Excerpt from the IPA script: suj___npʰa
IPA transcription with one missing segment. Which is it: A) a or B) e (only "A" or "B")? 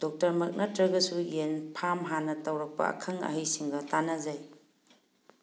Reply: B